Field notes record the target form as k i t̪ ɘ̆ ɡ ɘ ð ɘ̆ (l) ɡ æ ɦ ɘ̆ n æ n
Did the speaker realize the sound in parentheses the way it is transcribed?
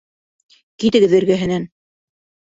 no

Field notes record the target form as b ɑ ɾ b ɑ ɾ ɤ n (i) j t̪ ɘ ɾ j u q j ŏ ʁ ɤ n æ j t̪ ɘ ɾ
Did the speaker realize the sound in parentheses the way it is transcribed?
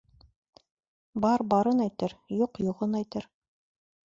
no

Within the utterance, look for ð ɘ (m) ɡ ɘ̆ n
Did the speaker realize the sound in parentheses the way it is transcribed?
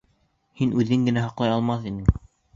no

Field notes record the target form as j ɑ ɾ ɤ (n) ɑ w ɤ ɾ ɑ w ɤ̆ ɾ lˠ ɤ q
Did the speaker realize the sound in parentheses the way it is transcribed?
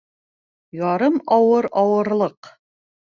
no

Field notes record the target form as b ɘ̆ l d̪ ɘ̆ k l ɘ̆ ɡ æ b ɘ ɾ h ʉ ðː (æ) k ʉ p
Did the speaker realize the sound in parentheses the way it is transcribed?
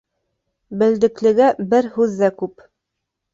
yes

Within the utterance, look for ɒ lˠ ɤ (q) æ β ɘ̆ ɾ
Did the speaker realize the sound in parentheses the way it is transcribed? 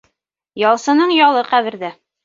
yes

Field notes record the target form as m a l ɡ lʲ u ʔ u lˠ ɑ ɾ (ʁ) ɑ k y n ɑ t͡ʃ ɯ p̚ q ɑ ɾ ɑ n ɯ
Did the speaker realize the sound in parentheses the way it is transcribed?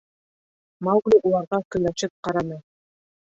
yes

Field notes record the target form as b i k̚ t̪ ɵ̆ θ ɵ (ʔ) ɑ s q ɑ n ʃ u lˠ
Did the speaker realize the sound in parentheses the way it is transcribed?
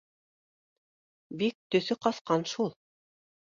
no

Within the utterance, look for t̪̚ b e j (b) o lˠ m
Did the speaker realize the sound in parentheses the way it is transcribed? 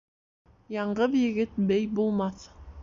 yes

